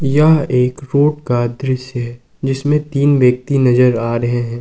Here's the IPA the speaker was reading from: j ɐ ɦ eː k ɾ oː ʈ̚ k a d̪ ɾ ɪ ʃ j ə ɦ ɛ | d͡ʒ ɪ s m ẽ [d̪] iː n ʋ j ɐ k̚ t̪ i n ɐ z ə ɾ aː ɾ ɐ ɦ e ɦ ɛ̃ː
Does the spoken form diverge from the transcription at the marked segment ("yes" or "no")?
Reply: yes